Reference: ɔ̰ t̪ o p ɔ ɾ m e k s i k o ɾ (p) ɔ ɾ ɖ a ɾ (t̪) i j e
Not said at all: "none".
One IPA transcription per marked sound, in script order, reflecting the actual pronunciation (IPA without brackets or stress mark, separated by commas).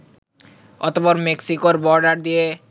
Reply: b, d̪